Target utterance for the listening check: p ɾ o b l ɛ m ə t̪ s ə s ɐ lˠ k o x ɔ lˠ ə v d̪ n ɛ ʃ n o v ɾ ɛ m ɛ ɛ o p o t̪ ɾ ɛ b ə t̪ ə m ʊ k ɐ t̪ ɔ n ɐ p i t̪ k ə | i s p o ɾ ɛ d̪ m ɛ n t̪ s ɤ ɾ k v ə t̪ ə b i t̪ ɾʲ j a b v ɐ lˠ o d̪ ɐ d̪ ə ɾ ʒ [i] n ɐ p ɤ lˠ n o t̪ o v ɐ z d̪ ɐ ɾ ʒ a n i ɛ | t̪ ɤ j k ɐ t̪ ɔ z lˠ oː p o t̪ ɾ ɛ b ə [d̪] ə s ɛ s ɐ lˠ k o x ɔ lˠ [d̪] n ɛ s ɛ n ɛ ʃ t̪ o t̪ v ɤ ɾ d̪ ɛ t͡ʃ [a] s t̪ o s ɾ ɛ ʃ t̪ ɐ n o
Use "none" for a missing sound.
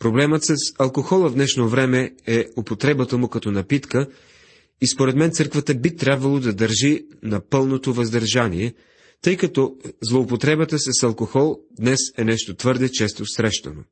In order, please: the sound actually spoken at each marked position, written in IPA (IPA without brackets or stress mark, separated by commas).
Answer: i, t̪, d̪, ɛ